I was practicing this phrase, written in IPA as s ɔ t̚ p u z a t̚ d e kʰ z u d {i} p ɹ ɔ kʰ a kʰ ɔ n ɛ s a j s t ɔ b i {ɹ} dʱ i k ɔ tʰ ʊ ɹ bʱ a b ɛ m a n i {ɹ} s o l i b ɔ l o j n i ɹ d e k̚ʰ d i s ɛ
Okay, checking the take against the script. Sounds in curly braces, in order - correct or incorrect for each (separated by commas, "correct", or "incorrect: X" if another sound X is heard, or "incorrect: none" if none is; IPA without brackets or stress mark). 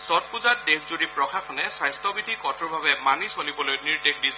correct, incorrect: none, incorrect: none